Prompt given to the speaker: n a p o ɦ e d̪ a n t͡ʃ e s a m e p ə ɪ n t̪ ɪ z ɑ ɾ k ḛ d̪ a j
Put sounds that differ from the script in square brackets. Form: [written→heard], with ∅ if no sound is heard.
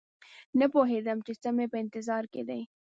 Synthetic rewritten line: n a p o ɦ e d̪ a [n→m] t͡ʃ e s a m e p ə ɪ n t̪ ɪ z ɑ ɾ k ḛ d̪ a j